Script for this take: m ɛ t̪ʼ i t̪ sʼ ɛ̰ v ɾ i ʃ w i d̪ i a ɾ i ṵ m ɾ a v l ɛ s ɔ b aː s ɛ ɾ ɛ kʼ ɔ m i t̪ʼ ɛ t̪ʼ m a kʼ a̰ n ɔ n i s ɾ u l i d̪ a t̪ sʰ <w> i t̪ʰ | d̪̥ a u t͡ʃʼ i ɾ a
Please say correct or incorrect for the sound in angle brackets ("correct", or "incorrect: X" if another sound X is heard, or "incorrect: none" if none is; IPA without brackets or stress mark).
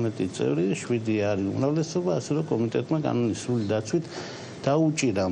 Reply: correct